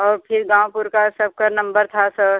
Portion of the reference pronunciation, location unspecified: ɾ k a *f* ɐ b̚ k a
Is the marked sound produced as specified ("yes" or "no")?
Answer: no